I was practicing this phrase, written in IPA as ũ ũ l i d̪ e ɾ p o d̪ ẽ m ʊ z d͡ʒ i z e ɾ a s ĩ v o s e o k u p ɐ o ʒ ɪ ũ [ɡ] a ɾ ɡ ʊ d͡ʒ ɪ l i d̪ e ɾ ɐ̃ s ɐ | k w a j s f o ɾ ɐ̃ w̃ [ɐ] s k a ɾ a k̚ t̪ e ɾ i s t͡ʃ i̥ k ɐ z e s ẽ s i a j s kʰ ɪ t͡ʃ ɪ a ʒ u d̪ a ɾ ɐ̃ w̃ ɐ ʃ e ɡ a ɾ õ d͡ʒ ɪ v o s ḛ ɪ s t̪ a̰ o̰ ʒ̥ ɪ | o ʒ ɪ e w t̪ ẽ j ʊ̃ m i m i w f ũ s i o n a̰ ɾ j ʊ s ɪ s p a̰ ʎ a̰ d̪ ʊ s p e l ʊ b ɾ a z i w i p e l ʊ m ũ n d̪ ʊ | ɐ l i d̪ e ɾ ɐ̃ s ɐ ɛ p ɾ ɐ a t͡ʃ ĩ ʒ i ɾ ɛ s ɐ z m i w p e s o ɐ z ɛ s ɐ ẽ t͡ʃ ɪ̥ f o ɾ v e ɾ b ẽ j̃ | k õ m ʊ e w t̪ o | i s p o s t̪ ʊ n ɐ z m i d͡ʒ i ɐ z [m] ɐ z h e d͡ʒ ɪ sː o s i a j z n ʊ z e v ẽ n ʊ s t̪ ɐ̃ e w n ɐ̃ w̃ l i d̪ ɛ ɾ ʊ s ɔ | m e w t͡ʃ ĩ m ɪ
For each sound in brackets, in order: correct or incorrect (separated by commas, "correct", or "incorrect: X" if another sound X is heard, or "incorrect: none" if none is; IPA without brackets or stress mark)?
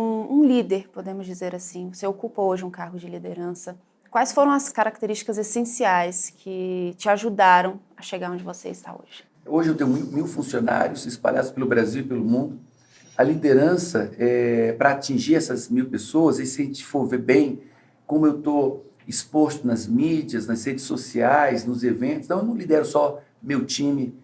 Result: incorrect: k, correct, incorrect: n